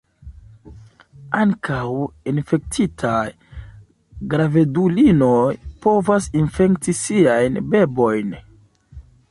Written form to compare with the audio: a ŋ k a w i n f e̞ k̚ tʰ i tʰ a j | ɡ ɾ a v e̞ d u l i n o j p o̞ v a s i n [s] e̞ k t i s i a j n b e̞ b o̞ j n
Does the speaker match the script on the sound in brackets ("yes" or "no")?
no